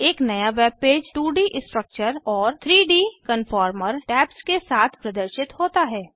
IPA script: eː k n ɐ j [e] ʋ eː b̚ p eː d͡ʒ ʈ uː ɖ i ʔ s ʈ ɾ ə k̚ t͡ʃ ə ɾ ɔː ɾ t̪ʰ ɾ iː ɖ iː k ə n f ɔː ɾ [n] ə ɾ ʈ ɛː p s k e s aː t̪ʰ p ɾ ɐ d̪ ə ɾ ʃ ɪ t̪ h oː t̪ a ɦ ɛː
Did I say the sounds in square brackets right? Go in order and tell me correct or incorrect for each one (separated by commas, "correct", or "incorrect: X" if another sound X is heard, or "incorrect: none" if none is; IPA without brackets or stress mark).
incorrect: a, incorrect: m